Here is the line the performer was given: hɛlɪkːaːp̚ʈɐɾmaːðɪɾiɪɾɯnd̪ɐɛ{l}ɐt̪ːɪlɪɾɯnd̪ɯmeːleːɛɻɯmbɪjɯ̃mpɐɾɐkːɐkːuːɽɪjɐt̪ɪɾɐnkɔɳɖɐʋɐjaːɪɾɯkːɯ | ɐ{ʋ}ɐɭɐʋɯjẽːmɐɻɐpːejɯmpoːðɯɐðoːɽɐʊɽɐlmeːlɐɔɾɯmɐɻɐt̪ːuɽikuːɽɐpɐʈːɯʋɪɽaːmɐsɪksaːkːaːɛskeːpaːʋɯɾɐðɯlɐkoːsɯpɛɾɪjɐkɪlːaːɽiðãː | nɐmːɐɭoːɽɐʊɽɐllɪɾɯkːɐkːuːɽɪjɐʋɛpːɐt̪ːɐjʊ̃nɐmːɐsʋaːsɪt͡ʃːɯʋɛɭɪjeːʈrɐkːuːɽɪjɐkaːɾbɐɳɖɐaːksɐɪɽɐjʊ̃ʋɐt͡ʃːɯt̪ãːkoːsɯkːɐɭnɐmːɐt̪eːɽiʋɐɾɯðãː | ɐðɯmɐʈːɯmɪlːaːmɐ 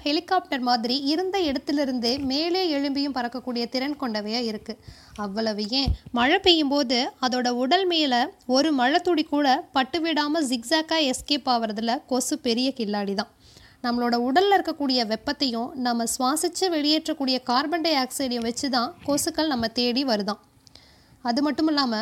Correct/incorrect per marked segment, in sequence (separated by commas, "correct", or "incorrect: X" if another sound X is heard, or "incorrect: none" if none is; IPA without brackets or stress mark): incorrect: ɽ, incorrect: ʋː